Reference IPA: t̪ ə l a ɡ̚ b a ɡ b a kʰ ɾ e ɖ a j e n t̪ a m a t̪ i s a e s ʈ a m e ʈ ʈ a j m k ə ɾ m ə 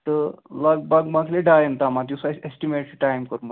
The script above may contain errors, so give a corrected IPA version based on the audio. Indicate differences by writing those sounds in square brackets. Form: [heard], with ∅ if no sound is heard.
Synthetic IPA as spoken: t̪ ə l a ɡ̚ b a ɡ [m] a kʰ [l] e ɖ a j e n t̪ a m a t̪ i s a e s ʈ [i] m e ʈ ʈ a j m k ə ɾ m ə